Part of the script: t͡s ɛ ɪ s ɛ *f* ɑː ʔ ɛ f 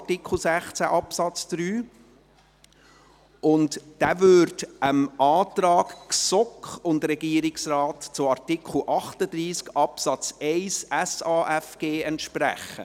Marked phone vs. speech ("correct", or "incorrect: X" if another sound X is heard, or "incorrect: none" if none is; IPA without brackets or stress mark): incorrect: s